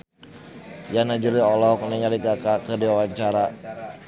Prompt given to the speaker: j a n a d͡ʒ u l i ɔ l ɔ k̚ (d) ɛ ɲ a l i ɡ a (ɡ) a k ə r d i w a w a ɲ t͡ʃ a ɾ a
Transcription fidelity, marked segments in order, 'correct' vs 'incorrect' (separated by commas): incorrect, incorrect